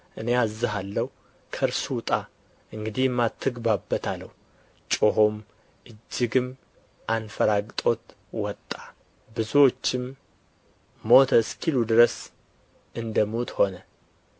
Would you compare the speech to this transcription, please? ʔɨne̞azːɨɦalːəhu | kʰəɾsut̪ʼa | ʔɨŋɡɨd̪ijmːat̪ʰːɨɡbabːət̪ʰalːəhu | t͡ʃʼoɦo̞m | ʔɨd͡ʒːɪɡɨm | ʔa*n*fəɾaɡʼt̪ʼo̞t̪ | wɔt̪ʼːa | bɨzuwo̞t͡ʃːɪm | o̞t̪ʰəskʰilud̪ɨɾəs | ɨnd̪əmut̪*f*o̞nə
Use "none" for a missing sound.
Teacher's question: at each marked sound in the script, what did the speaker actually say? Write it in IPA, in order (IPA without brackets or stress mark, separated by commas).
n, h